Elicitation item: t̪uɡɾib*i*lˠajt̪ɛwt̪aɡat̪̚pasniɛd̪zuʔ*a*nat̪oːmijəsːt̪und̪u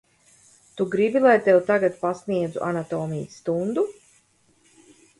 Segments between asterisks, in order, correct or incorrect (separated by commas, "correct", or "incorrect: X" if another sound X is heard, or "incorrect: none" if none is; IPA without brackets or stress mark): correct, correct